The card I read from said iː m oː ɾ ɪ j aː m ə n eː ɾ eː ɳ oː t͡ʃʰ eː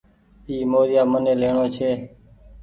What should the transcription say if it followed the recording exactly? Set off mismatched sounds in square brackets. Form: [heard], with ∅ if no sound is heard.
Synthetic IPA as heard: iː m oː ɾ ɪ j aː m ə n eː [l] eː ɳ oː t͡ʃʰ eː